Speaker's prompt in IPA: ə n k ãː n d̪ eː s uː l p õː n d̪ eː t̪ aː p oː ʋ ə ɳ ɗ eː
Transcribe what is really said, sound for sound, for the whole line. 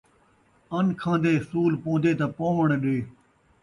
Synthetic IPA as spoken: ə n kʰ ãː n d̪ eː s uː l p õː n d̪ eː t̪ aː p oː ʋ ə ɳ ɗ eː